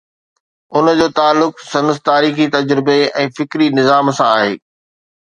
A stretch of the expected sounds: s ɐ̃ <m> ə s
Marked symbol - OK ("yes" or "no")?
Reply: no